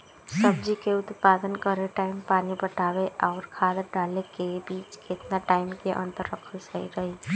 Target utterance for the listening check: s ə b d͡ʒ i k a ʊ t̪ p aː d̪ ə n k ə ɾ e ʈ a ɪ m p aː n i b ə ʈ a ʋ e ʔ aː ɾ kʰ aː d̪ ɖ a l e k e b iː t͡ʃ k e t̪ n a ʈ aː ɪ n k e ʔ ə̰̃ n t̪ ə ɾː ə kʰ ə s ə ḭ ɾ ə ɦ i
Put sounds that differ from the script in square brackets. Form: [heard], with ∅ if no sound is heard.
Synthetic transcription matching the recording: s ə b d͡ʒ i k [e] ʊ t̪ p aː d̪ ə n k ə ɾ e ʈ a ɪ m p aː n i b ə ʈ a ʋ e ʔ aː ɾ kʰ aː d̪ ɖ a l e k e b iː t͡ʃ k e t̪ n a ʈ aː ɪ [m] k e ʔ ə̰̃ n t̪ ə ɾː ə kʰ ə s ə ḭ ɾ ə ɦ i

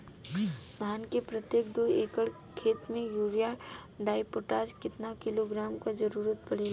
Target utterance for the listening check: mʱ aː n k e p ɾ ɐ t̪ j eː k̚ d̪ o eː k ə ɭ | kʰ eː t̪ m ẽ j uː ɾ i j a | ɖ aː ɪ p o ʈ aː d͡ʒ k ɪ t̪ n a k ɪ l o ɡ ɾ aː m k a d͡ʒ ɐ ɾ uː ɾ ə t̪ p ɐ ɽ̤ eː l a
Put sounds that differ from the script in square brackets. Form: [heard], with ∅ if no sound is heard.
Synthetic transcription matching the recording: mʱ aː n k e p ɾ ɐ t̪ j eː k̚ d̪ o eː k ə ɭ | kʰ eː t̪ m ẽ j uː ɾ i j a | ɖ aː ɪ p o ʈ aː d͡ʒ k ɪ t̪ n a k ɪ l o ɡ ɾ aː m k a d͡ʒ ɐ ɾ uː ɾ ə t̪ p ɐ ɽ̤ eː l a

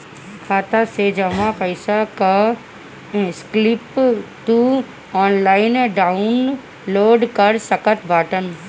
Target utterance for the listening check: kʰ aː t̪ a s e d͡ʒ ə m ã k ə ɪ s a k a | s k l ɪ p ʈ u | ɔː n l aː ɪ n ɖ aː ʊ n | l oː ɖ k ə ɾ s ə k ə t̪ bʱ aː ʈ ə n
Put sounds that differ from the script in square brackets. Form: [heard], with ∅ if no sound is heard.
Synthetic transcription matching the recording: kʰ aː t̪ a s e d͡ʒ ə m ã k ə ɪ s a k a | s k l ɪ p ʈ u | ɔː n l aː ɪ n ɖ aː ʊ n | l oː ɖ k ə ɾ s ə k ə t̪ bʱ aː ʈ ə n

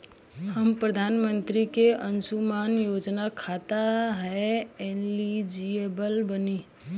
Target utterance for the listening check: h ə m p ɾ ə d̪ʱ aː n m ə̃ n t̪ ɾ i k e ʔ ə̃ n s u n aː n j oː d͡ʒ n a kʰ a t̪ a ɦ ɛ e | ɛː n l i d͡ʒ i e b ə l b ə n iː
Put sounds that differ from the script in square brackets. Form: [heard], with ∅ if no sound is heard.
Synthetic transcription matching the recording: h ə m p ɾ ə d̪ʱ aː n m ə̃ n t̪ ɾ i k e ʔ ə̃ n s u [m] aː n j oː d͡ʒ n a kʰ a t̪ a ɦ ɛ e | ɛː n l i d͡ʒ i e b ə l b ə n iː

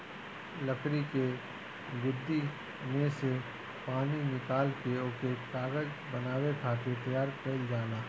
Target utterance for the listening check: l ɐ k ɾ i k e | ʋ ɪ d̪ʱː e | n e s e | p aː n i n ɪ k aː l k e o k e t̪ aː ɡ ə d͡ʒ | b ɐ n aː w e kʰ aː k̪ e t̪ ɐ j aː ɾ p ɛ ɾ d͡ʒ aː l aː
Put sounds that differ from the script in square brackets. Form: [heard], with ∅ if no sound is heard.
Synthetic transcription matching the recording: l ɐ k ɾ i k e | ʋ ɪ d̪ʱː [i] | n e s e | p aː n i n ɪ k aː l k e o k e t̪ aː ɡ ə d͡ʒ | b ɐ n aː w e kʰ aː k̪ e t̪ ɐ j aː ɾ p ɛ [l] d͡ʒ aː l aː

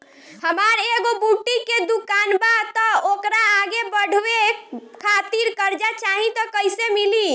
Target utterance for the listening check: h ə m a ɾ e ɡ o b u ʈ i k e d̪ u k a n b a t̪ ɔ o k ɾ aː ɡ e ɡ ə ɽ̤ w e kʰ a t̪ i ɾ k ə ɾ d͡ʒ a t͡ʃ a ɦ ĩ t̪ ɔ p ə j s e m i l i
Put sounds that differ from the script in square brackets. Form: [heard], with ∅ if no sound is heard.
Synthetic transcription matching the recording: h ə m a ɾ e ɡ o b u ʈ i k e d̪ u k a n b a t̪ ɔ o k ɾ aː ɡ e [b] ə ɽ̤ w e kʰ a t̪ i ɾ k ə ɾ d͡ʒ a t͡ʃ a ɦ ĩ t̪ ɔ [k] ə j s e m i l i

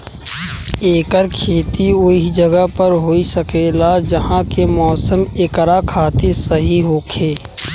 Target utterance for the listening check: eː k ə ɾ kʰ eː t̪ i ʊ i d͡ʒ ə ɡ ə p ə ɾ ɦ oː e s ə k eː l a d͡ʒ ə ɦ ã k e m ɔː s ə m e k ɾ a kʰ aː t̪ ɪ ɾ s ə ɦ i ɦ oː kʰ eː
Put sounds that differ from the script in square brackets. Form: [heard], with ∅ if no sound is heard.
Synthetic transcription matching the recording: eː k ə ɾ kʰ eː t̪ i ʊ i d͡ʒ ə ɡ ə p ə ɾ ɦ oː [i] s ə k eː l a d͡ʒ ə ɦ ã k e m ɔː s ə m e k ɾ a kʰ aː t̪ ɪ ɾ s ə ɦ i ɦ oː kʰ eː

